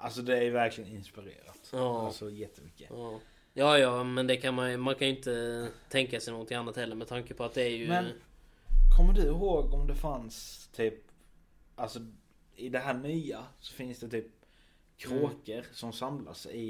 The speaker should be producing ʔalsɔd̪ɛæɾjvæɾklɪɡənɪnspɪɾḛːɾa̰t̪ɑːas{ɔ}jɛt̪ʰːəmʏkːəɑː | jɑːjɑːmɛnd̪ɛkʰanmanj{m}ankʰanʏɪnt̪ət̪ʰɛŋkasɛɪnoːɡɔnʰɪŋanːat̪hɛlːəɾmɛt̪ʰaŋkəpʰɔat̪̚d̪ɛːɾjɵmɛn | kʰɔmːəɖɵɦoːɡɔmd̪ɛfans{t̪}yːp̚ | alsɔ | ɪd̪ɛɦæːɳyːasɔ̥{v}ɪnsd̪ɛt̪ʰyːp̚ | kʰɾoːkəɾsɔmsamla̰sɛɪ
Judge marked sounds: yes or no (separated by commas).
yes, yes, no, no